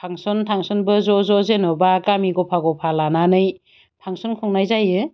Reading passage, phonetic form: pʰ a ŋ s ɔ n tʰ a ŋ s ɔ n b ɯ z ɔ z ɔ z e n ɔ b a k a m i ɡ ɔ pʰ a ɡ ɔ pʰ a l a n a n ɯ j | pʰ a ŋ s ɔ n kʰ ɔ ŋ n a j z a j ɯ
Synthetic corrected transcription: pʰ a ŋ s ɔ n tʰ a ŋ s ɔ n b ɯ z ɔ z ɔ z e n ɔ b a k a m i ɡ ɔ pʰ a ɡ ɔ pʰ a l a n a n ɯ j | pʰ a ŋ s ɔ n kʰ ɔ ŋ n a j z a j ɯ